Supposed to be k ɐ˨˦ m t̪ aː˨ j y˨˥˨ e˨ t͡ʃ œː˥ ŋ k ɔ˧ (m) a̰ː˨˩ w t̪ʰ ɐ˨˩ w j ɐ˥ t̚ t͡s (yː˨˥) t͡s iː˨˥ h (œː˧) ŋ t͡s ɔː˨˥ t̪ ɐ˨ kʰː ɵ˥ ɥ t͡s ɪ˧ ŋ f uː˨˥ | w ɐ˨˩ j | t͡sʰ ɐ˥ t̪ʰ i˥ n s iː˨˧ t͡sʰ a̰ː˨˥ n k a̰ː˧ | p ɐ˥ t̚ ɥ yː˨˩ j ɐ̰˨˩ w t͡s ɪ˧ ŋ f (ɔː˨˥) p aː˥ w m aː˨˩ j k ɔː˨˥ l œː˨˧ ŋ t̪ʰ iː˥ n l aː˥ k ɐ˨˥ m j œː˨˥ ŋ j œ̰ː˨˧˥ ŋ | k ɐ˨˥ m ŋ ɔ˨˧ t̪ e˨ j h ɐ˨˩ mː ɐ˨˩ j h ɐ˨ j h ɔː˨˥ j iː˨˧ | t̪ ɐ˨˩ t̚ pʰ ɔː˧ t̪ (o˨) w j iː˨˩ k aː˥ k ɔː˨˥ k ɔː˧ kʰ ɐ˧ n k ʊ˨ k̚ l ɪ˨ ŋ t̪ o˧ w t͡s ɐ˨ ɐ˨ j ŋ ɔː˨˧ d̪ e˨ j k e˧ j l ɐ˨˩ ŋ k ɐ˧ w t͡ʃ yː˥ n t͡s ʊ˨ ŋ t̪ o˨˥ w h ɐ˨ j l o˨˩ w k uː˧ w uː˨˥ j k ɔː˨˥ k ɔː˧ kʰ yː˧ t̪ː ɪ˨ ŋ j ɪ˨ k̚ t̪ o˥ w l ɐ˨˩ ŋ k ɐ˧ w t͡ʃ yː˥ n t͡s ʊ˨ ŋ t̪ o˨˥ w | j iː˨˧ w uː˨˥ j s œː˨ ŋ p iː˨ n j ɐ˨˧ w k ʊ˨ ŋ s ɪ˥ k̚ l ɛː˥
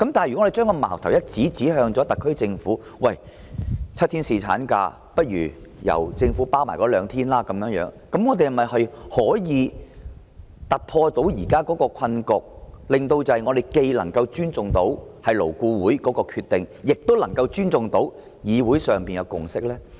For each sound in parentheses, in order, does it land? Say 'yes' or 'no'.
yes, no, yes, no, no

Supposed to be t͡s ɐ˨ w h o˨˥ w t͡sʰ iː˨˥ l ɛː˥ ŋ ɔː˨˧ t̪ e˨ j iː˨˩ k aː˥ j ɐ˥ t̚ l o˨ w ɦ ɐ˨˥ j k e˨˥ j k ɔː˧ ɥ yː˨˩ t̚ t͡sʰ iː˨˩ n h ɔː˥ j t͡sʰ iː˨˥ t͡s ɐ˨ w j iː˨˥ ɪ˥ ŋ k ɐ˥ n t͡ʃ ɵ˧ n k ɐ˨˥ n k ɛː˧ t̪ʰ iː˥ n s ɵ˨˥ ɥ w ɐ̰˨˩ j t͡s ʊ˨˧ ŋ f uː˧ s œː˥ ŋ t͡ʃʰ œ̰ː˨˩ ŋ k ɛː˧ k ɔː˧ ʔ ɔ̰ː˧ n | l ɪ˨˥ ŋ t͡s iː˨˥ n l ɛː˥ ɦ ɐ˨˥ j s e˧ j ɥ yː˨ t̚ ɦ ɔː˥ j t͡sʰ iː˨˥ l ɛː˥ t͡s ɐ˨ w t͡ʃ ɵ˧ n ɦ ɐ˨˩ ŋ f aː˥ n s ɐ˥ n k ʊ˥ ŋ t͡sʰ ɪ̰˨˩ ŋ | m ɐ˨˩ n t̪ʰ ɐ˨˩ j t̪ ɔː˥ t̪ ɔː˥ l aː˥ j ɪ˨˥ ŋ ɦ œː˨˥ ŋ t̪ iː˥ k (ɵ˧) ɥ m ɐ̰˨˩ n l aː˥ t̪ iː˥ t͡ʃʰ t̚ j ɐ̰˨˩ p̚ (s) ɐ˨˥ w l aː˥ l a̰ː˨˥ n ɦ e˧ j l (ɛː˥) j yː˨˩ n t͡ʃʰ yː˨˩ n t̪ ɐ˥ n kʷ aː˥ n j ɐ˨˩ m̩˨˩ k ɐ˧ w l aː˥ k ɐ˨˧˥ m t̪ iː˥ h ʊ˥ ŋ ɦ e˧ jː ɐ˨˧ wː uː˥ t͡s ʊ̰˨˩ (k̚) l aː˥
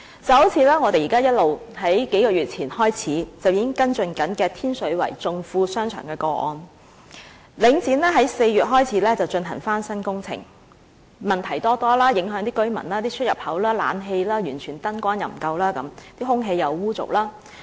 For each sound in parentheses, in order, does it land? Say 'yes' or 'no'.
no, no, no, yes

